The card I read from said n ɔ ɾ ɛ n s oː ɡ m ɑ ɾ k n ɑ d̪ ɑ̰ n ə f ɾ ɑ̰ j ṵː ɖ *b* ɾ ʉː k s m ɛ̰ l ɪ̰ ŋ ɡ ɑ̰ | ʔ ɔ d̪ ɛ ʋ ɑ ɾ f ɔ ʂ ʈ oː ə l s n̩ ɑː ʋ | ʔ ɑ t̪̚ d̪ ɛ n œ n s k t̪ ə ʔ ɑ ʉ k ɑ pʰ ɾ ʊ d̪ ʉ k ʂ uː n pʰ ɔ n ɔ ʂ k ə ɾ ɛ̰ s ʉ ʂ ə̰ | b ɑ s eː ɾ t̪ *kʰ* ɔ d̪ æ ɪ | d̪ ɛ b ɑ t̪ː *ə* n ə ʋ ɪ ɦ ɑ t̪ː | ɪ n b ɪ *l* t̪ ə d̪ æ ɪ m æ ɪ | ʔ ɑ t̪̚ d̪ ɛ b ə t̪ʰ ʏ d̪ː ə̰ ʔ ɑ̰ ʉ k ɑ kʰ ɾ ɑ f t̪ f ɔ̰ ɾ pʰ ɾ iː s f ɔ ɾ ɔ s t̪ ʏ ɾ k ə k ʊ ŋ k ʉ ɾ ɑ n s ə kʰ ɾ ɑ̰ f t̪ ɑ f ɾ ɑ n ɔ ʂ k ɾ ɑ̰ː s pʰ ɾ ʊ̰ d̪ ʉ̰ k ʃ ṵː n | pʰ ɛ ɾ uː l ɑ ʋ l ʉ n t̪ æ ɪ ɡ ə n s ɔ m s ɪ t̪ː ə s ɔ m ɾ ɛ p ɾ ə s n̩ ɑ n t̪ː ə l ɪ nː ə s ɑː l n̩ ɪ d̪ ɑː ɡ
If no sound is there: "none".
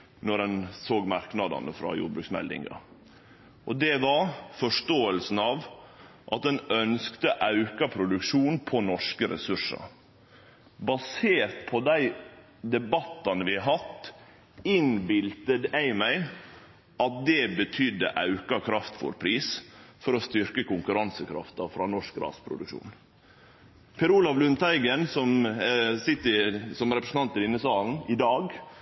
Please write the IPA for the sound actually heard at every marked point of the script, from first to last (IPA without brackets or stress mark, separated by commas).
b, pʰ, ɑ, l